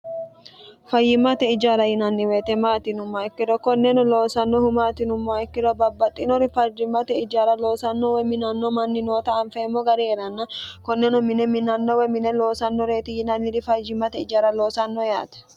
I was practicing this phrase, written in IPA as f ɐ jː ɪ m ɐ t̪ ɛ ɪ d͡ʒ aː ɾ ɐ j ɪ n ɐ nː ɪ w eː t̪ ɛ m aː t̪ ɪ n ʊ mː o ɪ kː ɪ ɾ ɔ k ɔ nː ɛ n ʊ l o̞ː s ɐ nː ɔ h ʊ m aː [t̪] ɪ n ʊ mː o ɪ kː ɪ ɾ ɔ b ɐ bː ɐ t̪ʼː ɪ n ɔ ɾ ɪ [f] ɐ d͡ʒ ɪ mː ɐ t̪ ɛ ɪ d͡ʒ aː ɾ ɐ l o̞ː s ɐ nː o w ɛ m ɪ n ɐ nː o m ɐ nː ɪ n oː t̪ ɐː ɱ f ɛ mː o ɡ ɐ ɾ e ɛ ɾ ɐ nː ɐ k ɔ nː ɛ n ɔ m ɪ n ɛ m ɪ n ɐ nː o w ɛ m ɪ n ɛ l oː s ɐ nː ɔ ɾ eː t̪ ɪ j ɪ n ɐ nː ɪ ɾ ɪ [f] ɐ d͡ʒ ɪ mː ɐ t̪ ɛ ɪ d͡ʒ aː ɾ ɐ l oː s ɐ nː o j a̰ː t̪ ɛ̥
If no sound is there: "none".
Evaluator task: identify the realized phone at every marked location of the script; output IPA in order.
t̪, f, f

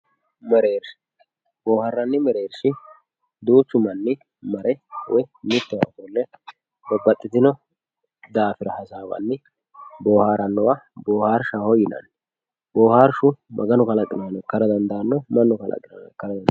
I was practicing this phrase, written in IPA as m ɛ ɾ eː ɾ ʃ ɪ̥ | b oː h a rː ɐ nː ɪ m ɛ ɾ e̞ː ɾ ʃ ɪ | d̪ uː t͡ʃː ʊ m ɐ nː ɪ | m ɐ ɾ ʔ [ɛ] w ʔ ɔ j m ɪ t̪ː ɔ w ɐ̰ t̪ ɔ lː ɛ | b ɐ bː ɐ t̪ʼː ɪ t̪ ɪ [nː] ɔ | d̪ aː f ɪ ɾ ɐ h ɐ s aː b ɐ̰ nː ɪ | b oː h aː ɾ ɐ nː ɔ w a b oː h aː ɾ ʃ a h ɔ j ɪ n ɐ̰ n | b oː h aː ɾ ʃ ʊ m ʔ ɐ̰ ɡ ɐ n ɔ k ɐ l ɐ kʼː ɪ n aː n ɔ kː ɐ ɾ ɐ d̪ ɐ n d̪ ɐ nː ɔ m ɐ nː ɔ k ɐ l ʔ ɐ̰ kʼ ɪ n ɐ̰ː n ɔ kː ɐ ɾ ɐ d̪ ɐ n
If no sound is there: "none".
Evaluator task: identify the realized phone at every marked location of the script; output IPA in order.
ɛ, n

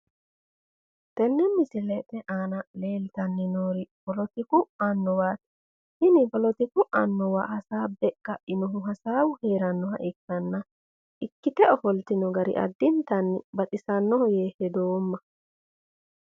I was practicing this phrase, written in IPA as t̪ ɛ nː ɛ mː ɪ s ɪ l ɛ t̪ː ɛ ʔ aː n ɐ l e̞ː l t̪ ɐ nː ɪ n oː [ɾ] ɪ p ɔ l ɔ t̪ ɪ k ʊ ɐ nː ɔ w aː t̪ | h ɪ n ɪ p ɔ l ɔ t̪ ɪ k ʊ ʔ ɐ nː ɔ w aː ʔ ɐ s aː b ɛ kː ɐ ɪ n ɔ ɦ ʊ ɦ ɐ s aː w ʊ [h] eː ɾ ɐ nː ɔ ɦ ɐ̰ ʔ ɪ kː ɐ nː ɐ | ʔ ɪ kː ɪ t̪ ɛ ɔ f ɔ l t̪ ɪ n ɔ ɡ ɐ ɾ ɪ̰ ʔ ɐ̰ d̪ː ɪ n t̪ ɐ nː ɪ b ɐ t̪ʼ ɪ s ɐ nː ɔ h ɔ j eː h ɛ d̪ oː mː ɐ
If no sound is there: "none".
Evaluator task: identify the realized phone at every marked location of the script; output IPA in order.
ɾ, h

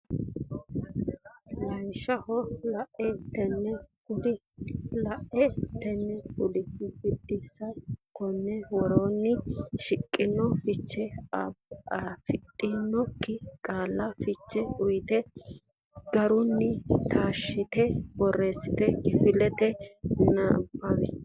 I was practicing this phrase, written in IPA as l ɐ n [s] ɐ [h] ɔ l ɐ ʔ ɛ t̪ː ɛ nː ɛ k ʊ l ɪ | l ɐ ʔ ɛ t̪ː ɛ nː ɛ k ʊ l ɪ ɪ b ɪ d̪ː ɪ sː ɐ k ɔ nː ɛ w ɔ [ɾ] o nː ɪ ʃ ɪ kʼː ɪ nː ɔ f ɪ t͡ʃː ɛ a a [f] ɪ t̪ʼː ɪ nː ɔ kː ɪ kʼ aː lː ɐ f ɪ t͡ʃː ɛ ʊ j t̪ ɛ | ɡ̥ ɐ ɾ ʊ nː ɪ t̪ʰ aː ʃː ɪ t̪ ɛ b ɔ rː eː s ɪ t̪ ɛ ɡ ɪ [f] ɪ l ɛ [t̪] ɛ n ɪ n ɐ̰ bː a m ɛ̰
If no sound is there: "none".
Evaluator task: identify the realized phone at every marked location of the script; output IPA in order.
ʃ, h, ɾ, f, f, t̪

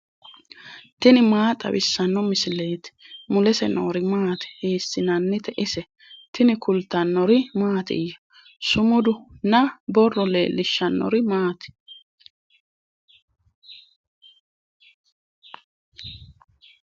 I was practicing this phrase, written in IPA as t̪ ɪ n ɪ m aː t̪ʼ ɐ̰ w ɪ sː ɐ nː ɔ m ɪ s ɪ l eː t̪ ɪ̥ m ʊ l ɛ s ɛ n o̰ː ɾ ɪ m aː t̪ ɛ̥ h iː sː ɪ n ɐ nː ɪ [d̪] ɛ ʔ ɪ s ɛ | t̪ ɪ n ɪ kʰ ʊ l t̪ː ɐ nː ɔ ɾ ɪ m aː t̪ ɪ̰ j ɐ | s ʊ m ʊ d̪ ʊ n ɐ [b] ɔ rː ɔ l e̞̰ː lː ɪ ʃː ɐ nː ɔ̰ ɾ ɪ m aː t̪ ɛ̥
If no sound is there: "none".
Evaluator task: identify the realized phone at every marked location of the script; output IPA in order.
t̪, b

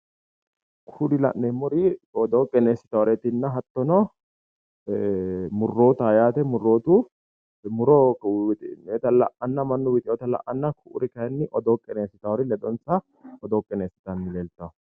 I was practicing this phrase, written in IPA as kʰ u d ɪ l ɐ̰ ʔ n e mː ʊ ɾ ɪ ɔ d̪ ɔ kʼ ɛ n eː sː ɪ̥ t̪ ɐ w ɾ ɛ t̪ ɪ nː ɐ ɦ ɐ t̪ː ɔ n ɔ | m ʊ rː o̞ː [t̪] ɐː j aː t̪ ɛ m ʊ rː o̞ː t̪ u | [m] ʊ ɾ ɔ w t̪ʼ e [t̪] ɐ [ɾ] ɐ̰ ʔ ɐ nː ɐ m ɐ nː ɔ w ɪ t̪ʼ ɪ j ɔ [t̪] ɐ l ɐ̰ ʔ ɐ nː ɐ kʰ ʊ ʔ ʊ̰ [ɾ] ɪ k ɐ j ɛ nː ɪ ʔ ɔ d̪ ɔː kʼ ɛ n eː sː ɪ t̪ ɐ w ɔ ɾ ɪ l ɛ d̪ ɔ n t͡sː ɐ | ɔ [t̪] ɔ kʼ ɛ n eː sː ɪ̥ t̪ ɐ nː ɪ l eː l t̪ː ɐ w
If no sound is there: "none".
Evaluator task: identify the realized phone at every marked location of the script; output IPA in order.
t̪, m, t̪, l, t̪, ɾ, d̪

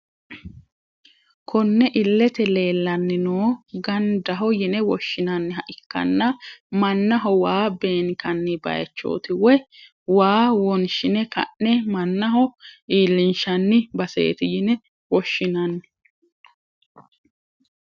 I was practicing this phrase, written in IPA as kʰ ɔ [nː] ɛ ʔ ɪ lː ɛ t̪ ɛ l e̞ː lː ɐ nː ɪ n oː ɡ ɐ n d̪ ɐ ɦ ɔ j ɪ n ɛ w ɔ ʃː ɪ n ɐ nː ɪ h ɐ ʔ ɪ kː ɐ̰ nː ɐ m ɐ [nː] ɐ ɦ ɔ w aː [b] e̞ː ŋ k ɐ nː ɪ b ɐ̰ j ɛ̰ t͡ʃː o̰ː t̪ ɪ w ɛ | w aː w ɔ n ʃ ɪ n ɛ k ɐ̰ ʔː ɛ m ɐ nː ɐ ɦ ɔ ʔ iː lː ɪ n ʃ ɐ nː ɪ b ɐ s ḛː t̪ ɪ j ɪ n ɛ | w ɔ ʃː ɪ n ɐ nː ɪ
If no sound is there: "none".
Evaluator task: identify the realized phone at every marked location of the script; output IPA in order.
nː, nː, b

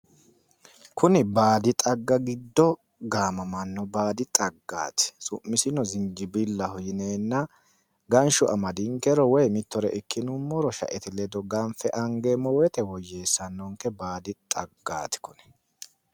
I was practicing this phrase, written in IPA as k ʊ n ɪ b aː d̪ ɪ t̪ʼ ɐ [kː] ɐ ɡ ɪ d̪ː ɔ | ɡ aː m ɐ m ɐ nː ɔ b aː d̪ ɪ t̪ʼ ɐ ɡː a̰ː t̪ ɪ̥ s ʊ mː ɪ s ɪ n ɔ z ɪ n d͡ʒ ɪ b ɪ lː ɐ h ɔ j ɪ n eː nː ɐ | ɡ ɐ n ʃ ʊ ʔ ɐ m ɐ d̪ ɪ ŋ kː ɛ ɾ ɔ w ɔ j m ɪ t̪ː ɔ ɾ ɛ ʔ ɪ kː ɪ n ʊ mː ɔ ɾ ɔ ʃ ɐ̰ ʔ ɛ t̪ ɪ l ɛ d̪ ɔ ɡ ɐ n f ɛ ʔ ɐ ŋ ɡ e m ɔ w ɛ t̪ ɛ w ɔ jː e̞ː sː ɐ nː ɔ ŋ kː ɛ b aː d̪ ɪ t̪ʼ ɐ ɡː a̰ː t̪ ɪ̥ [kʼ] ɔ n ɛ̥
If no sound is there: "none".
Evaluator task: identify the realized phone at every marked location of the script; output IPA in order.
ɡː, k

